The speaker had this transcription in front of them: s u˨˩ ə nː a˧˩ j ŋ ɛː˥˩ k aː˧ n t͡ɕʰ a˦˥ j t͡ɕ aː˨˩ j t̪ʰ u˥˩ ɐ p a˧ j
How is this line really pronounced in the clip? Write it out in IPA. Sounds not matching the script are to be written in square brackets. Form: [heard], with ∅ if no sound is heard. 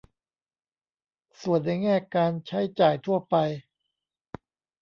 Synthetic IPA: s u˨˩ ə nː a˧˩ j ŋ ɛː˥˩ k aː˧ n t͡ɕʰ a˦˥ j t͡ɕ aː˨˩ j t̪ʰ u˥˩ ɐ p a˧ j